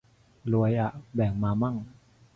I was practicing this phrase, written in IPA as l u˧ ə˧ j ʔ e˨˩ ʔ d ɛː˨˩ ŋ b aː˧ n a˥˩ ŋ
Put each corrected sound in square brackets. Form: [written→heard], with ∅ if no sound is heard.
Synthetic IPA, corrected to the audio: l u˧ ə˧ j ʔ [e˨˩→a˨˩] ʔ [d→b] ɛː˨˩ ŋ [b→m] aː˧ [n→m] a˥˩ ŋ